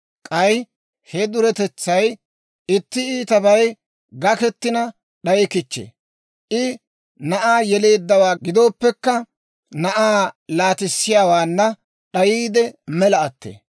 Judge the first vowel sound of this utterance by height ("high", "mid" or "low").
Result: low